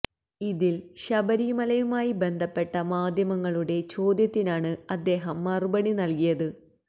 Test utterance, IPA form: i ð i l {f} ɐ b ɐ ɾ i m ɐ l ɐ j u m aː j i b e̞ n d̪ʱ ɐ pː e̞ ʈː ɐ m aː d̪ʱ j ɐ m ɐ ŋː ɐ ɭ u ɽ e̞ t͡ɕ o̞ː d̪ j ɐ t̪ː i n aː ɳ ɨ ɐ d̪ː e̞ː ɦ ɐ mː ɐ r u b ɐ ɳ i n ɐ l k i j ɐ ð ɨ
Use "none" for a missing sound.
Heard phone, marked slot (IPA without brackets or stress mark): ɕ